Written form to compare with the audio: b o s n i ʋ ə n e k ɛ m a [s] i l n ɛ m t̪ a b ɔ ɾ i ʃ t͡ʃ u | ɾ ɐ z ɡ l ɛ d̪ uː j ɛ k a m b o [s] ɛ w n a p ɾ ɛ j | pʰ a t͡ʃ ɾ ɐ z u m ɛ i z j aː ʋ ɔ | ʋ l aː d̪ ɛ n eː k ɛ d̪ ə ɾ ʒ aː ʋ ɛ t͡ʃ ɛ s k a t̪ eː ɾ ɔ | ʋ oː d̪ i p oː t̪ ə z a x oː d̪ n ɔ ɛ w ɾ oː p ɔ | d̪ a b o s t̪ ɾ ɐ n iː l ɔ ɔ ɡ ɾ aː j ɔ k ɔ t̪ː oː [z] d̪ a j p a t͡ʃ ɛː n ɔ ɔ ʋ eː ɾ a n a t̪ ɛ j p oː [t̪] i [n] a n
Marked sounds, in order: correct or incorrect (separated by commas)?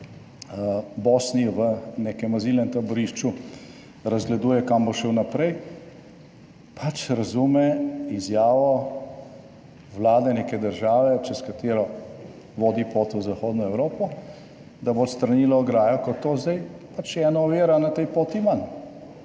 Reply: incorrect, incorrect, correct, correct, incorrect